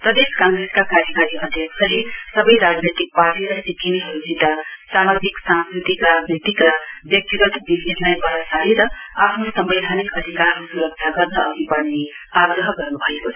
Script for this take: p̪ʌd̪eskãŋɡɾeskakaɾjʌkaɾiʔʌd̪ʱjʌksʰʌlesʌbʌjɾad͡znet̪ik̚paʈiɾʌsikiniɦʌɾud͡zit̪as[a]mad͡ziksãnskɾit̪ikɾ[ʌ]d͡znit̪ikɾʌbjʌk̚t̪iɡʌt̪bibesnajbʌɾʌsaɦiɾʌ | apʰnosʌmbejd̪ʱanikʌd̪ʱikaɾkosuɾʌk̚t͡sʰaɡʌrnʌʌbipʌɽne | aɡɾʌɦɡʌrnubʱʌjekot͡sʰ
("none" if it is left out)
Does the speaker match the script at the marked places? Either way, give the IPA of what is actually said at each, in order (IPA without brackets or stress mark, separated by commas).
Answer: a, a